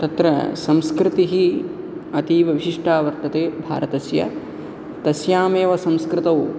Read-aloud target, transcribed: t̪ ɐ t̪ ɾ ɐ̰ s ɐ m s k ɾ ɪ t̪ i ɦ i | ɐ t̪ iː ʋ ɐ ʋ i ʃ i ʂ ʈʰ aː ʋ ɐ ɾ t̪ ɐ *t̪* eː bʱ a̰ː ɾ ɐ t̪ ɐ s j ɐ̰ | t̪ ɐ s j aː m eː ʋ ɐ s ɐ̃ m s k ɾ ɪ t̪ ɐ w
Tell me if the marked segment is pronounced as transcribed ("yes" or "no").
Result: yes